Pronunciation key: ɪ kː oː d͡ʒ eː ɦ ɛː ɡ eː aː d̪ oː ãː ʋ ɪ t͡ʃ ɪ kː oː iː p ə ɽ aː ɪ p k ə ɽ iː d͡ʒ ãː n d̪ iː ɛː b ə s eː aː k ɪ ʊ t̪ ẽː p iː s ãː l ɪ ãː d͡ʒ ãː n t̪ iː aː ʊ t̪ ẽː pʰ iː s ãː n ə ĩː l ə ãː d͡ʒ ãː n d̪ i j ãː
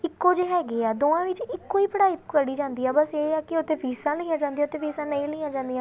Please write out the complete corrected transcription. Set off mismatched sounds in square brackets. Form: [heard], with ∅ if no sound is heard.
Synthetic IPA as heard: ɪ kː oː d͡ʒ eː ɦ ɛː ɡ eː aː d̪ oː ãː ʋ ɪ t͡ʃ ɪ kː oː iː p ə ɽ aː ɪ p k ə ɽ iː d͡ʒ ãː n d̪ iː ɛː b ə s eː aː k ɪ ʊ t̪ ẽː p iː s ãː l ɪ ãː d͡ʒ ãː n [d̪] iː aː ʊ t̪ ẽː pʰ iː s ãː n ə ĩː l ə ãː d͡ʒ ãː n d̪ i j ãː